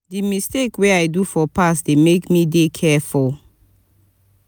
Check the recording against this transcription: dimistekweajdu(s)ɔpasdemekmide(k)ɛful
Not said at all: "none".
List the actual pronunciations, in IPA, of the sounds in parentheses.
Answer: f, kʰ

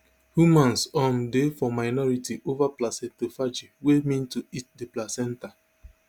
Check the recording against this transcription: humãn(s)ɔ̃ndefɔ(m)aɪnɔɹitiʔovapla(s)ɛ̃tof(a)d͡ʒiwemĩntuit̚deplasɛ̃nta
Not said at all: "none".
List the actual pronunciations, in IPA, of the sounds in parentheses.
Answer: s, m, s, a

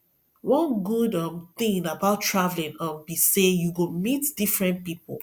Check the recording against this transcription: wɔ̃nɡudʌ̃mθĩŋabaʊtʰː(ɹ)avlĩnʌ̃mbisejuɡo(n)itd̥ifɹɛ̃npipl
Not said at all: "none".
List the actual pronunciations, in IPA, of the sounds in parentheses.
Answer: ɹ, m

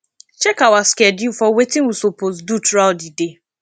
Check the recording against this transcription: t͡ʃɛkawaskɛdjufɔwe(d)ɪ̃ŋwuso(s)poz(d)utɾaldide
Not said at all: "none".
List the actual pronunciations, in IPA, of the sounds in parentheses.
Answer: t, none, d

